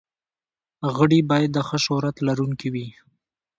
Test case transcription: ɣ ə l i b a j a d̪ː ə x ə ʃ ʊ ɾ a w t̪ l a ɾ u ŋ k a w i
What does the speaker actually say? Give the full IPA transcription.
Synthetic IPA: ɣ ə ɽ i b ɑ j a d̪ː ə x ə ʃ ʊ ɾ a t̪ l a ɾ u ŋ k i w i